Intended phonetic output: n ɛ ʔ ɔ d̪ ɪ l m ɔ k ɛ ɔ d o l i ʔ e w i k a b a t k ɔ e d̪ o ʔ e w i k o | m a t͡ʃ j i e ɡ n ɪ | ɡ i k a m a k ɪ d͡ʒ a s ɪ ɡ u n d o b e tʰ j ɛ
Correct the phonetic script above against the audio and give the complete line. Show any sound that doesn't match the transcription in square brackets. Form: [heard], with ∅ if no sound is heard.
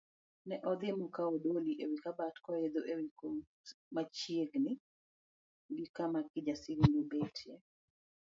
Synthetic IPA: n ɛ ʔ ɔ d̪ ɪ [∅] m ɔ k [a] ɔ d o l i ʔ e w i k a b a t k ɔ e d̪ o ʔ e w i k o | m a t͡ʃ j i e ɡ n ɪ | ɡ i k a m a k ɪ d͡ʒ a s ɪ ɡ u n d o b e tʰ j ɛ